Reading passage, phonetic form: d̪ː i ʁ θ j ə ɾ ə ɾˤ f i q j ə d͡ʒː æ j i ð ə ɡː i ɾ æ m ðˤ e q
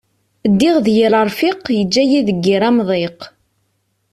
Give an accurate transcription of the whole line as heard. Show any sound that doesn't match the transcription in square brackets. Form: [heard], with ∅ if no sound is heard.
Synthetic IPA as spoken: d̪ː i ʁ [ð] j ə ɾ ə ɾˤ f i q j ə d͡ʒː æ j i ð ə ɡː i ɾ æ m ðˤ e q